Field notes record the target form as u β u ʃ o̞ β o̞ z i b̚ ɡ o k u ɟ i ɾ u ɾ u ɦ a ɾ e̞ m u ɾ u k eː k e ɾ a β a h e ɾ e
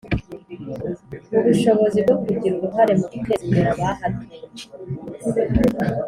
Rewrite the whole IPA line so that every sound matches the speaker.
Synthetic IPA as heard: u β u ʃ o̞ β o̞ z i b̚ ɡ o k u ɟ i ɾ u ɾ u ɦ a ɾ e̞ m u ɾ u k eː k e ɾ a β a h a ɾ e

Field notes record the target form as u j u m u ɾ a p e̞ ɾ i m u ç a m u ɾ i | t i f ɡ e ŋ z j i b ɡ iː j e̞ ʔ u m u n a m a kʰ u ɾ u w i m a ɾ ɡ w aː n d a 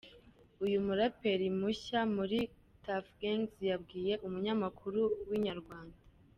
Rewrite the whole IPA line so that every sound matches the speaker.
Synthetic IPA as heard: u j u m u ɾ a p e̞ ɾ i m u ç a m u ɾ i | t a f ɡ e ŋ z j a b ɡ iː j e̞ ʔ u m u ɲ a m a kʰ u ɾ u w i ɲ a ɾ ɡ w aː n d a

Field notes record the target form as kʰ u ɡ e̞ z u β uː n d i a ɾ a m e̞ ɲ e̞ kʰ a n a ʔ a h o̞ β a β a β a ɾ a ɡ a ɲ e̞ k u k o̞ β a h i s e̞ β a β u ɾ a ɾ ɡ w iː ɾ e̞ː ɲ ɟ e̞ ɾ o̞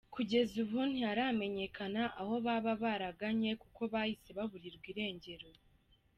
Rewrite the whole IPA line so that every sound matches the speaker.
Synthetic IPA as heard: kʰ u ɟ e̞ z u β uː n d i a ɾ a m e̞ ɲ e̞ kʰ a n a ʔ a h o̞ β a β a β a ɾ a ɡ a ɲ e̞ k u k o̞ β a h i s e̞ β a β u ɾ i ɾ ɡ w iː ɾ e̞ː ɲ ɟ e̞ ɾ o̞

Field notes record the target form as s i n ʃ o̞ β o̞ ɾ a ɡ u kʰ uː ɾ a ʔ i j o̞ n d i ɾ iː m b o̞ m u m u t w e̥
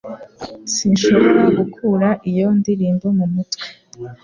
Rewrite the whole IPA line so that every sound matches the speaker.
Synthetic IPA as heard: s i n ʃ o̞ β o̞ ɾ a ɡ u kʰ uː ɾ a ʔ i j o̞ n d i ɾ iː m b o̞ m u m u t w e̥

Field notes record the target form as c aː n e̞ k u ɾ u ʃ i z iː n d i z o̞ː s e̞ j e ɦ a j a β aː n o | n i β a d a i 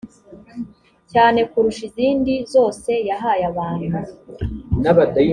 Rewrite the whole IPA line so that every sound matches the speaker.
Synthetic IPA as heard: c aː n e̞ k u ɾ u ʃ i z iː n d i z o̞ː s e̞ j a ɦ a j a β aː n u | n a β a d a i

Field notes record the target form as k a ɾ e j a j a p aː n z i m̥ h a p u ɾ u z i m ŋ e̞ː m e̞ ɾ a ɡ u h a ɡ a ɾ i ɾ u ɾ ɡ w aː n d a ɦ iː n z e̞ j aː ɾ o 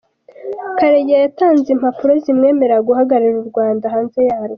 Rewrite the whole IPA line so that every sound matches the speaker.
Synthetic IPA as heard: k a ɾ e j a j a t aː n z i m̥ h a p u ɾ o z i m ŋ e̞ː m e̞ ɾ a ɡ u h a ɡ a ɾ i ɾ u ɾ ɡ w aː n d a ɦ aː n z e̞ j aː ɾ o

